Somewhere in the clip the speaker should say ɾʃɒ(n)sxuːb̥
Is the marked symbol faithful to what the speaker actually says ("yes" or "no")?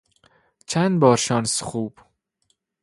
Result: yes